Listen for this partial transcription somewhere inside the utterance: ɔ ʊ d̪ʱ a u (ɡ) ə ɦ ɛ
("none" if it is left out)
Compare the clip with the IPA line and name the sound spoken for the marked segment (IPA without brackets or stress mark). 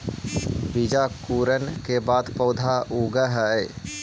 ɡ